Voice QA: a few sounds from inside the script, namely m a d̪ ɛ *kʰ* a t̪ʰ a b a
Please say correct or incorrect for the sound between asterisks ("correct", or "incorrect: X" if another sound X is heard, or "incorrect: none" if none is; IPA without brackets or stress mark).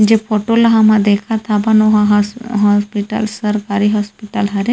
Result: correct